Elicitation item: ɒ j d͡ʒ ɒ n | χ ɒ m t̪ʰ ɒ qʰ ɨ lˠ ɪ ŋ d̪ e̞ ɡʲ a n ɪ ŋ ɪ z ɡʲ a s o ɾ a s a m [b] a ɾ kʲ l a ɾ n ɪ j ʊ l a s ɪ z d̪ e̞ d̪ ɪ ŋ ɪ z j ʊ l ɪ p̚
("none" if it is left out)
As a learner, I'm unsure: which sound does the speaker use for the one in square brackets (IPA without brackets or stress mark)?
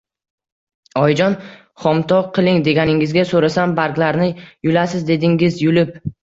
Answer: b